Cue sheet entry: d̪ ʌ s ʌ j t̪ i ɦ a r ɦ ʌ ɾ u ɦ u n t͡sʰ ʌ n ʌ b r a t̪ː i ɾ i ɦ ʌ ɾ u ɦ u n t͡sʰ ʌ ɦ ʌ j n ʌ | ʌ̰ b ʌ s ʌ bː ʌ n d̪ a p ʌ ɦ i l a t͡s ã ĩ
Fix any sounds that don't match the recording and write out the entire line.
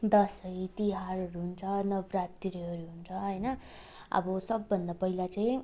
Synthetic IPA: d̪ ʌ s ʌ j t̪ i ɦ a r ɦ ʌ ɾ u ɦ u n t͡sʰ ʌ n ʌ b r a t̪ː i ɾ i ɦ ʌ ɾ u ɦ u n t͡sʰ ʌ ɦ ʌ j n ʌ | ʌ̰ b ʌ s ʌ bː ʌ n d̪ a p ʌ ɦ i l a t͡s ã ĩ